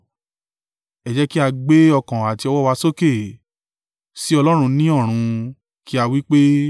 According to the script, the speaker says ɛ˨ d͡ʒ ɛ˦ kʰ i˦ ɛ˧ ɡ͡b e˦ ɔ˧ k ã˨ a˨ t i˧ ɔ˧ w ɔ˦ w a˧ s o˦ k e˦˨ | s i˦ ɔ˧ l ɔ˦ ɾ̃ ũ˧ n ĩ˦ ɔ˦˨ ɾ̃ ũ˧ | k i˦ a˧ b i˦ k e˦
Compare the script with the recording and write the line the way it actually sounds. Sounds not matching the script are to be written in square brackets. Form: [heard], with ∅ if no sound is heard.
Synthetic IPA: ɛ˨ d͡ʒ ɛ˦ [k] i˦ [a˧] ɡ͡b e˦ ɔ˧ k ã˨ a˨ t i˧ ɔ˧ w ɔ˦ w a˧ s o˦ k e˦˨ | s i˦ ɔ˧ l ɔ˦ ɾ̃ ũ˧ n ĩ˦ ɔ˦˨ ɾ̃ ũ˧ | k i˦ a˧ [w] i˦ [k͡p] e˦

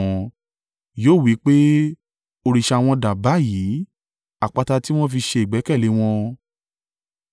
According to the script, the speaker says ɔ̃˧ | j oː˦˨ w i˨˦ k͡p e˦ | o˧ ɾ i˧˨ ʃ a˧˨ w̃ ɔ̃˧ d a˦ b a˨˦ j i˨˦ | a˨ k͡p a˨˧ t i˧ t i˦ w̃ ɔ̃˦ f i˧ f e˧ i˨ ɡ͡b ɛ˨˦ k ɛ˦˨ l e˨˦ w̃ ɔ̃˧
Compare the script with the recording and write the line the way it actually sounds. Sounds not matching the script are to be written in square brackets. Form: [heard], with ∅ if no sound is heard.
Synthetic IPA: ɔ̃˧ | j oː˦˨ w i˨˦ k͡p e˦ | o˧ ɾ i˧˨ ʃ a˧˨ w̃ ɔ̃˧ d [a˨] b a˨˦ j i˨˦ | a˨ k͡p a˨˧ t [a˧] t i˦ w̃ ɔ̃˦ f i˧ [ʃ] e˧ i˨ ɡ͡b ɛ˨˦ k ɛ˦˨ l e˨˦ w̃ ɔ̃˧

